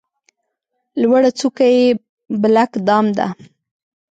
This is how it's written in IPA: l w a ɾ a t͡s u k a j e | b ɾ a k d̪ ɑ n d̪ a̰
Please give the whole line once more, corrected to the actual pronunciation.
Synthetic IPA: l w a ɽ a t͡s u k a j e | b l a k d̪ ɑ m d̪ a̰